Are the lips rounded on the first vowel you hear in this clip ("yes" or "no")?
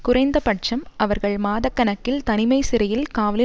yes